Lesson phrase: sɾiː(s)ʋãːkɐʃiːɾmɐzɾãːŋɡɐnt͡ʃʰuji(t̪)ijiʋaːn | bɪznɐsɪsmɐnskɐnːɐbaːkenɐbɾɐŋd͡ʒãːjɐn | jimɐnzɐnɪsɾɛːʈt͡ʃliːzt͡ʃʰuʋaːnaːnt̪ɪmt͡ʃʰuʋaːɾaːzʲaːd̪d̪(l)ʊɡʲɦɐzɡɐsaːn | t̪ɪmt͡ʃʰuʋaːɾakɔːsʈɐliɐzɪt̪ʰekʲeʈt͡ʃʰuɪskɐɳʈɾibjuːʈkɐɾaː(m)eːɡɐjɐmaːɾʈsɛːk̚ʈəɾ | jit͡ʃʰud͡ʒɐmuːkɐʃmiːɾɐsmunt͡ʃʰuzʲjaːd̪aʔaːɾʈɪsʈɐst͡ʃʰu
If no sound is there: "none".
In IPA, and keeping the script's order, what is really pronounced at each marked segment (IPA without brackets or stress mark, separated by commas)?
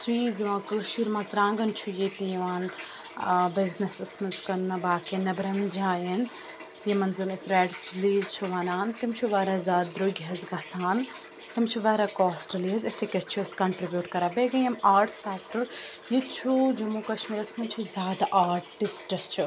z, t̪, ɾ, b